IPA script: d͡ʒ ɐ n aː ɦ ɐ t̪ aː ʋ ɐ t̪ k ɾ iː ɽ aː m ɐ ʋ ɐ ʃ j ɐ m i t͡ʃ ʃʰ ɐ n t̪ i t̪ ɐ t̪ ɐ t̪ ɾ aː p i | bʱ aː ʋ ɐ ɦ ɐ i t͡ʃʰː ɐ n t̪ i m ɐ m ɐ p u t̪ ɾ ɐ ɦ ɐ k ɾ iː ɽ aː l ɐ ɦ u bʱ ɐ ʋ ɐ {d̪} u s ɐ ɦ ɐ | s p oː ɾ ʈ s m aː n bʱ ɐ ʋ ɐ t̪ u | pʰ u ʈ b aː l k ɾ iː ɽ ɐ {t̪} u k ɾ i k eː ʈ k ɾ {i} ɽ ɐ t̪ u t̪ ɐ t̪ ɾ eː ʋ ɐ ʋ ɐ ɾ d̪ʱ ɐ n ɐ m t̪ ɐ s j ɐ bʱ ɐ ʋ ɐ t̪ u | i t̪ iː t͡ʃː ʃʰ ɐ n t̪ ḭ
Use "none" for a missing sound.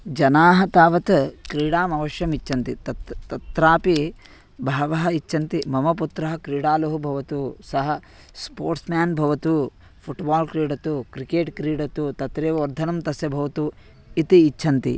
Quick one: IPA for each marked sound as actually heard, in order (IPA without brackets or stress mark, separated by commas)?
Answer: t̪, t̪, iː